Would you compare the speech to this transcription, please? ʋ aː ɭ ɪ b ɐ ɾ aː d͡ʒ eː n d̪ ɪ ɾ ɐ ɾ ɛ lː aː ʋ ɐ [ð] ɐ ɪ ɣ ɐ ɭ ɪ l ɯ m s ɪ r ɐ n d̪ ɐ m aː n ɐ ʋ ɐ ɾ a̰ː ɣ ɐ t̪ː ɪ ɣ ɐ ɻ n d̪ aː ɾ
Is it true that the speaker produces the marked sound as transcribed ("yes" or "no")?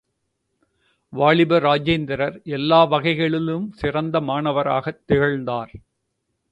no